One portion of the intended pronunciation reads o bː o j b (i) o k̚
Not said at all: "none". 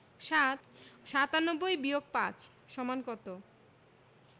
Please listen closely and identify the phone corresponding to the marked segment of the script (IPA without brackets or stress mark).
i